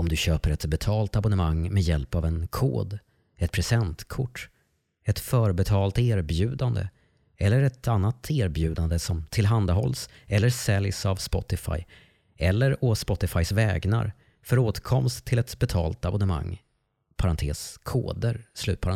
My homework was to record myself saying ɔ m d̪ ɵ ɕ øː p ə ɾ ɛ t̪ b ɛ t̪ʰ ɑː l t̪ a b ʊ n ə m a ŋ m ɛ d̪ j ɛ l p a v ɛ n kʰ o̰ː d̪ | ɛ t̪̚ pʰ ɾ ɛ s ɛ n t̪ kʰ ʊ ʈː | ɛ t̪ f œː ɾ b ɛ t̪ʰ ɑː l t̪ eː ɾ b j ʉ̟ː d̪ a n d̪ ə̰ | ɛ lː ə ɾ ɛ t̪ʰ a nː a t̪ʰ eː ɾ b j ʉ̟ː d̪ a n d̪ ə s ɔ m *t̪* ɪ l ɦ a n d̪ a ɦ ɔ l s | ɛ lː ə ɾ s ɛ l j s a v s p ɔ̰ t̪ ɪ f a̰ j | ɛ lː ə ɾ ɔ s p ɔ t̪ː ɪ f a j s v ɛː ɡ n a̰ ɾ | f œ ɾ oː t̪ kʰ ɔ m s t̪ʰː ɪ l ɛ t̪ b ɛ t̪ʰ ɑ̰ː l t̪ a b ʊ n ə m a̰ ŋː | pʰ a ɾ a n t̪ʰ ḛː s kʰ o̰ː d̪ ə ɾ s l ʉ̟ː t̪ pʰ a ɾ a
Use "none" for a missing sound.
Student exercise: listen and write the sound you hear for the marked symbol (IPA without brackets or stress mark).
t̪ʰ